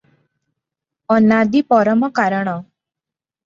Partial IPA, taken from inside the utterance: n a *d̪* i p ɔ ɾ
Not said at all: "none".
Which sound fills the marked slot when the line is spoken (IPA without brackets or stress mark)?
d̪